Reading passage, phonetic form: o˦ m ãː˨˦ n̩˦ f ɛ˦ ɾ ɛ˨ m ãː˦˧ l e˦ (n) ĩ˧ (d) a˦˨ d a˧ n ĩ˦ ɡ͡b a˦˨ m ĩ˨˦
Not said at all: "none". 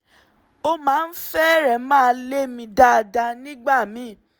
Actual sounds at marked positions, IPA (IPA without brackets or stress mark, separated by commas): m, d